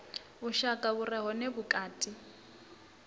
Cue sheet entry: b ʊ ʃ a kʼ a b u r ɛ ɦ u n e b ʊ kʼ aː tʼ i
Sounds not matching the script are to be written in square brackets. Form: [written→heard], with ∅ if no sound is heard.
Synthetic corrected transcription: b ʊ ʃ a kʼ a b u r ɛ ɦ [u→ɔ] n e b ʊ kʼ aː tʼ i